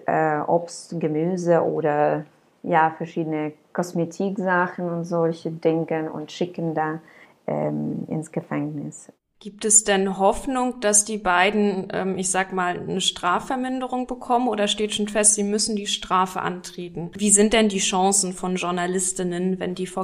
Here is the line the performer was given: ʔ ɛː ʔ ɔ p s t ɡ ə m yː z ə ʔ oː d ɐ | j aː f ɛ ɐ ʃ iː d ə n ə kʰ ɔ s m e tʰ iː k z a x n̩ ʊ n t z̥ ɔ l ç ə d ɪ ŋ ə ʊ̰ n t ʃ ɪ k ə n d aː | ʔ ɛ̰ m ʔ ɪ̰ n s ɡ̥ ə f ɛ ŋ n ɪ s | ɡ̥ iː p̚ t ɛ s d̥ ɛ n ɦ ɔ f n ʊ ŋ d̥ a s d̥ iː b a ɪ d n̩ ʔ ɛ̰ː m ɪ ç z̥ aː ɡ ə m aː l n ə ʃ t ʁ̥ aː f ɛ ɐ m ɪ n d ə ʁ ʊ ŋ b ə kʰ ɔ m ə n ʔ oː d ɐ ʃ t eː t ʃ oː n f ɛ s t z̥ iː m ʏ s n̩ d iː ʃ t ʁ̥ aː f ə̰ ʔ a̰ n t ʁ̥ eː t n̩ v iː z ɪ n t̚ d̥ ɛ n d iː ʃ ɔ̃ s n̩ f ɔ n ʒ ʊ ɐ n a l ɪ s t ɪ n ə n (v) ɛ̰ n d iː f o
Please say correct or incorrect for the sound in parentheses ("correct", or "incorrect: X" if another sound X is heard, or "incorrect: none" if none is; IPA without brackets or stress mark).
correct